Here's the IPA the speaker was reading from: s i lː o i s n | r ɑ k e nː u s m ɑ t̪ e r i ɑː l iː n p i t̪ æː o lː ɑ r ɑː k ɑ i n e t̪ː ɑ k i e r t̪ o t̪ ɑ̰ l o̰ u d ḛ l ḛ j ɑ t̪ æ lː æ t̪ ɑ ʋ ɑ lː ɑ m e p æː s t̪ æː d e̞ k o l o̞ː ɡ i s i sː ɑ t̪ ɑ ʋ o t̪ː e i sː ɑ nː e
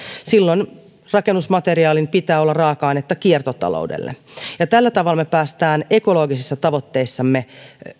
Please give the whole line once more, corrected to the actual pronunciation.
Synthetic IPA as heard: s i lː o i n | r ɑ k e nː u s m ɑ t̪ e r i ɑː l i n p i t̪ æː o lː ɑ r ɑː k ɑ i n e t̪ː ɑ k i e r t̪ o t̪ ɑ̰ l o̰ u d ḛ lː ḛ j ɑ t̪ æ lː æ t̪ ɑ ʋ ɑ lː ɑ m e p æː s t̪ æː n e̞ k o l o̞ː ɡ i s i sː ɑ t̪ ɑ ʋ o t̪ː e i sː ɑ mː e